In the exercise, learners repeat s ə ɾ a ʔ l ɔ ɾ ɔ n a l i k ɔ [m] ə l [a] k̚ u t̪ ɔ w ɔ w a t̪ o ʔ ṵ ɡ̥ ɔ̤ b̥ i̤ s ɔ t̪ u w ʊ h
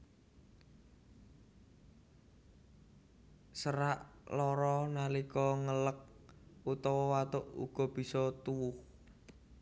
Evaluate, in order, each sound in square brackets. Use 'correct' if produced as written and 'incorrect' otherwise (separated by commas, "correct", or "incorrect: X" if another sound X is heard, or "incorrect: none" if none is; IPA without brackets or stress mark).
incorrect: ŋ, incorrect: ə